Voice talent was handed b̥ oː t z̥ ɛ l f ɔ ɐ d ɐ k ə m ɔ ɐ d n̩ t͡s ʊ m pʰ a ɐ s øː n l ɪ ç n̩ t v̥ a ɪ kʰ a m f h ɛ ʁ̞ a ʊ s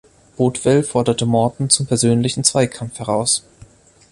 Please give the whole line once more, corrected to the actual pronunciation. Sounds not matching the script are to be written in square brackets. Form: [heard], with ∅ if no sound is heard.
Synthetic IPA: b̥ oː t [v̥] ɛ l f ɔ ɐ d ɐ [t] ə m ɔ ɐ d n̩ t͡s ʊ m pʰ [ɛ] ɐ [z] øː n l ɪ ç n̩ [t͡s] v̥ a ɪ kʰ a m f h ɛ ʁ̞ a ʊ s